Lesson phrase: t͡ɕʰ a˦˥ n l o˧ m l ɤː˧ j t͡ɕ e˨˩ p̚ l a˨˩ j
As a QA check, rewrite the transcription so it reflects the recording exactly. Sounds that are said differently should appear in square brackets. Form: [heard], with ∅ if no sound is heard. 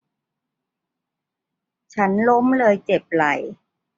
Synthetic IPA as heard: t͡ɕʰ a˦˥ n l [o˦˥] m l ɤː˧ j t͡ɕ e˨˩ p̚ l a˨˩ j